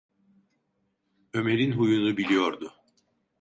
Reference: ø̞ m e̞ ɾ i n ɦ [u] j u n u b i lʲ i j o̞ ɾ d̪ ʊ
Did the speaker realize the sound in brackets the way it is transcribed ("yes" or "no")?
yes